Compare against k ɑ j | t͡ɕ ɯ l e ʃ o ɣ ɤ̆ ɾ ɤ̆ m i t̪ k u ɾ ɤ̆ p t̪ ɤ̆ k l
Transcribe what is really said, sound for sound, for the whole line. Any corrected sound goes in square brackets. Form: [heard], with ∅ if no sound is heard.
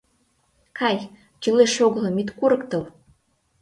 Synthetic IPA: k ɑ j | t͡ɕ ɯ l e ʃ o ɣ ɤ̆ [l] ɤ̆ m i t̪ k u ɾ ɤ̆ [k] t̪ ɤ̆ [∅] l